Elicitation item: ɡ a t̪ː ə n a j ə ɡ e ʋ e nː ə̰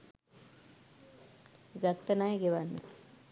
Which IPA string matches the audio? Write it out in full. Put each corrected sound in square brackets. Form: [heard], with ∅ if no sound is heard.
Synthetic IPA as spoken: ɡ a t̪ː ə n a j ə ɡ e ʋ [a] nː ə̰